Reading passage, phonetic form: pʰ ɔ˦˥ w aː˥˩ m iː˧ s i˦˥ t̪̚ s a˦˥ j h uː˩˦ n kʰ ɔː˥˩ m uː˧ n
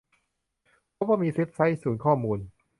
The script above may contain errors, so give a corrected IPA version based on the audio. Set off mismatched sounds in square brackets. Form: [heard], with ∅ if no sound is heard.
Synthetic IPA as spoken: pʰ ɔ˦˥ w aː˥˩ m iː˧ s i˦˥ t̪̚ s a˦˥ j [s] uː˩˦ n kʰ ɔː˥˩ m uː˧ n